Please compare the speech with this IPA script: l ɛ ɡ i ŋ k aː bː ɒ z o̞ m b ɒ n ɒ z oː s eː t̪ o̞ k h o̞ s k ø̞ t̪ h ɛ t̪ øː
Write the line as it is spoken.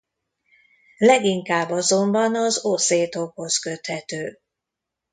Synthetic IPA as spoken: l ɛ ɡ i ŋ k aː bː ɒ z o̞ m b ɒ n ɒ z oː s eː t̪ o̞ k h o̞ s k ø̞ t̪ h ɛ t̪ øː

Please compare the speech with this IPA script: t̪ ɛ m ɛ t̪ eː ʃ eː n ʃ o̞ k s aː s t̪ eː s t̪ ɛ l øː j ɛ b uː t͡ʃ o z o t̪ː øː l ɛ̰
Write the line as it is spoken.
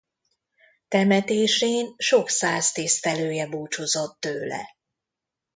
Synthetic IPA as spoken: t̪ ɛ m ɛ t̪ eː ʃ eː n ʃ o̞ k s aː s t̪ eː s t̪ ɛ l øː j ɛ b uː t͡ʃ o z o t̪ː øː l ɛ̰

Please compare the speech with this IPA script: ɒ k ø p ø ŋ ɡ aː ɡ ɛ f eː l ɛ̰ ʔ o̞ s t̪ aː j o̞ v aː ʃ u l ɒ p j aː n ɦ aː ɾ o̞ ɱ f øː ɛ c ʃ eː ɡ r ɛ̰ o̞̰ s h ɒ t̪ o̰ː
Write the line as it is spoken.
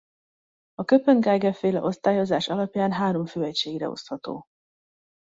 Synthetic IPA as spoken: ɒ k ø p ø ŋ ɡ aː ɡ ɛ f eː l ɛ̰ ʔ o̞ s t̪ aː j o̞ z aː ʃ ɒ l ɒ p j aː n ɦ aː ɾ o̞ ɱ f øː ɛ c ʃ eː ɡ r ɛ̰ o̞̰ s h ɒ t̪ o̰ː

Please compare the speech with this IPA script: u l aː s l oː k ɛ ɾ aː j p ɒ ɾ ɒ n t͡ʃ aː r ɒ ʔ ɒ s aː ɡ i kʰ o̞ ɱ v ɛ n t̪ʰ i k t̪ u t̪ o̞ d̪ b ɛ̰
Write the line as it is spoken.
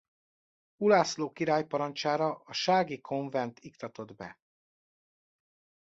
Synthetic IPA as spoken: u l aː s l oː k i ɾ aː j p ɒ ɾ ɒ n t͡ʃ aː ɾ ɒ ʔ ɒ ʃ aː ɡ i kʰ o̞ ɱ v ɛ n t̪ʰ i k t̪ ɒ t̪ o̞ d̪ b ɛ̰

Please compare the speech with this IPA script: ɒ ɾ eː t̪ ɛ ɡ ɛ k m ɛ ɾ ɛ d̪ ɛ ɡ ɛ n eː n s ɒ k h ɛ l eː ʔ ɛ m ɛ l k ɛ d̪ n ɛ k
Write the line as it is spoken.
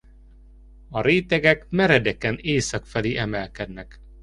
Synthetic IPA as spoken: ɒ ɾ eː t̪ ɛ ɡ ɛ k m ɛ ɾ ɛ d̪ ɛ k ɛ n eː s ɒ k f ɛ l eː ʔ ɛ m ɛ l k ɛ d̪ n ɛ k

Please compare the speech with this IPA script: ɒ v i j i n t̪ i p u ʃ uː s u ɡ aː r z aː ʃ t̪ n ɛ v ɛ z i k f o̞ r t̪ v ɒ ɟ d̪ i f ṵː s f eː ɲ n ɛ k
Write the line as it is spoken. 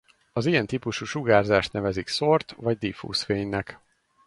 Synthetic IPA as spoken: ɒ z i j ɛ n t̪ i p u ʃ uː ʃ u ɡ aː r z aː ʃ t̪ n ɛ v ɛ z i k s o̞ r t̪ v ɒ ɟ d̪ i f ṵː s f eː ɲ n ɛ k

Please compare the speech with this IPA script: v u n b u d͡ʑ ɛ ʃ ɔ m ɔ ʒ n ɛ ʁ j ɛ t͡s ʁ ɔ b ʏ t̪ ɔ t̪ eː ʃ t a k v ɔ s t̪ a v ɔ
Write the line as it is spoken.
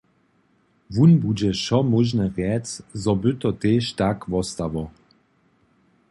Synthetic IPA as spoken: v u n b u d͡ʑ ɛ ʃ ɔ m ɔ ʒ n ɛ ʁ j ɛ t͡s z ɔ b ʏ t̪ ɔ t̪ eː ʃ t a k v ɔ s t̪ a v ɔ

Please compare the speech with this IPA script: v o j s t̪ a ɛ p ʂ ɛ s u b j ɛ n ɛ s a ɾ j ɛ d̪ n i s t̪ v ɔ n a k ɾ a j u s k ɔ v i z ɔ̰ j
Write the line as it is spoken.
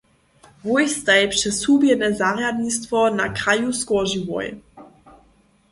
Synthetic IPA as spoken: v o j s t̪ a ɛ p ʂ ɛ s u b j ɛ n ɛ z a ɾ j a d̪ n i s t̪ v ɔ n a k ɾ a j u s k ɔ ʒ i v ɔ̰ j

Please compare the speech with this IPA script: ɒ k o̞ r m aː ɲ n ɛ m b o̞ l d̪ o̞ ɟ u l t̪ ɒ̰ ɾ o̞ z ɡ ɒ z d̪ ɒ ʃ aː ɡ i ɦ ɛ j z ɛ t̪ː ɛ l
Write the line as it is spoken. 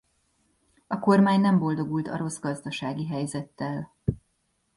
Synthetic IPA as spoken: ɒ k o̞ r m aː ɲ n ɛ m b o̞ l d̪ o̞ ɡ u l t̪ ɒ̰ ɾ o̞ z ɡ ɒ z d̪ ɒ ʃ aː ɡ i ɦ ɛ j z ɛ t̪ː ɛ l

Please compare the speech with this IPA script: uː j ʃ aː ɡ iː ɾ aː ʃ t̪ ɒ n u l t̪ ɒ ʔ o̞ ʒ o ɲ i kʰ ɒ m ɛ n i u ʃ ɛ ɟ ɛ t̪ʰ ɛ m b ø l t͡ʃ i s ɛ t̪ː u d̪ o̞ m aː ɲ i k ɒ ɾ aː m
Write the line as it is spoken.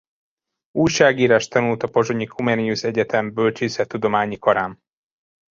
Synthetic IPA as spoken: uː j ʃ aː ɡ iː ɾ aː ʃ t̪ ɒ n u l t̪ ɒ p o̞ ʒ o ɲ i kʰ u m ɛ n i u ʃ ɛ ɟ ɛ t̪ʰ ɛ m b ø l t͡ʃ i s ɛ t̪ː u d̪ o̞ m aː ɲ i k ɒ ɾ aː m

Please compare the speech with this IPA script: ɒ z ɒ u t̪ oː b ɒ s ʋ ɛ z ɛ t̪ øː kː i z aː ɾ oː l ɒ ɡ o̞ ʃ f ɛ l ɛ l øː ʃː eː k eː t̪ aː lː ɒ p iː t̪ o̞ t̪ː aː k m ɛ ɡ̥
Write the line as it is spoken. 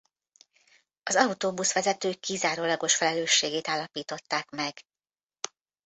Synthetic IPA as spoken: ɒ z ɒ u t̪ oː b u s ʋ ɛ z ɛ t̪ øː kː i z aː ɾ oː l ɒ ɡ o̞ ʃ f ɛ l ɛ l øː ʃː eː ɡ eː t̪ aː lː ɒ p iː t̪ o̞ t̪ː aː k m ɛ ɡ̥

